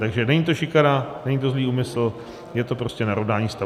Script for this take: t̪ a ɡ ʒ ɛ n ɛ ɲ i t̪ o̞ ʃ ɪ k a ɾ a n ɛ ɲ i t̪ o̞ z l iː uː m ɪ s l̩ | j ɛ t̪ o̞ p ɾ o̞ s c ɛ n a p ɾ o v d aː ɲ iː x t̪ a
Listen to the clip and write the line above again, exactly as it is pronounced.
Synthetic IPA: t̪ a ɡ ʒ ɛ n ɛ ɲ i t̪ o̞ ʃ ɪ k a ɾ a n ɛ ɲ i t̪ o̞ z l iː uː m ɪ s l̩ | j ɛ t̪ o̞ p ɾ o̞ s c ɛ n a ɾ o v d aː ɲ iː s t̪ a

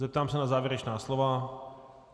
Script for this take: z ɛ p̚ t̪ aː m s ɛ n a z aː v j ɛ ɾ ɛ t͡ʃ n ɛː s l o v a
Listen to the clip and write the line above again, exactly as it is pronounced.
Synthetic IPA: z ɛ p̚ t̪ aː m s ɛ n a z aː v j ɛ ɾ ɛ t͡ʃ n aː s l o v a

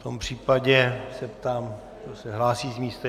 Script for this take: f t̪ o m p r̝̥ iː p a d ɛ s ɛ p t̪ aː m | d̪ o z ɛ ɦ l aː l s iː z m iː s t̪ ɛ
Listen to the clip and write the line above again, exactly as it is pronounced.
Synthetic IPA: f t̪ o m p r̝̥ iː p a ɟ ɛ s ɛ p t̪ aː m | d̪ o s ɛ ɦ l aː s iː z m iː s t̪ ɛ

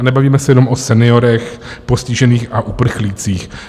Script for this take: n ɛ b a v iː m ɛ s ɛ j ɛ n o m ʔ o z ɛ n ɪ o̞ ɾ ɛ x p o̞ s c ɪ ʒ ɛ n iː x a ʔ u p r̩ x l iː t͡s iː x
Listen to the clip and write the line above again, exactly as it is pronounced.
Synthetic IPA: n ɛ b a v iː m ɛ s ɛ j ɛ n o m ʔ o s ɛ n ɪ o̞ ɾ ɛ x p o̞ s c ɪ ʒ ɛ n iː x a ʔ u p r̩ x l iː t͡s iː x

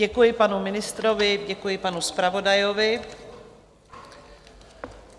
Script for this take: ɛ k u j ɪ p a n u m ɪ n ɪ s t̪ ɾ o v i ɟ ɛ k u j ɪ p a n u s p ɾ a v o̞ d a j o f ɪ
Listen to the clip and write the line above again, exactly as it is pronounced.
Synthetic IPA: ɛ k u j ɪ p a n u m ɪ n ɪ s t̪ ɾ o v ɪ ɟ ɛ k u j ɪ p a n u s p ɾ a v o̞ d a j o v ɪ

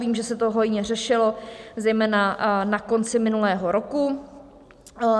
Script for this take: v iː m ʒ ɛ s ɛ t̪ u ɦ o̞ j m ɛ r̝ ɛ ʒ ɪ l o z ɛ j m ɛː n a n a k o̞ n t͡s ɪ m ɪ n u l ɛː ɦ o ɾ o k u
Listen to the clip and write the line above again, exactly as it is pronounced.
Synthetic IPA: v iː m ʒ ɛ s ɛ t̪ o ɦ o̞ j ɲ ɛ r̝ ɛ ʃ ɪ l o z ɛ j m ɛː n a n a k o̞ n t͡s ɪ m ɪ n u l ɛː ɦ o ɾ o k u

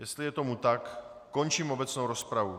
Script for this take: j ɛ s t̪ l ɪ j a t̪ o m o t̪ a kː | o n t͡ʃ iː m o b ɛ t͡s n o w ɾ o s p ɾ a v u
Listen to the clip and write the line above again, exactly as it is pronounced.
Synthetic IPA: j ɛ s t̪ l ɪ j ɛ t̪ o m u t̪ a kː | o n t͡ʃ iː m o b ɛ t͡s n o w ɾ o s p ɾ a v u

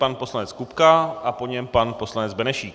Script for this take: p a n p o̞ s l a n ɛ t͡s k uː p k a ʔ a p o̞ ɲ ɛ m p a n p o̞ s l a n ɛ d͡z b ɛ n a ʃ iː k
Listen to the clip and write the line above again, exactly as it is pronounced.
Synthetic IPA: p a n p o̞ s l a n ɛ t͡s k u p k a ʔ a p o̞ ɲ ɛ m p a n p o̞ s l a n ɛ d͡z b ɛ n ɛ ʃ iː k

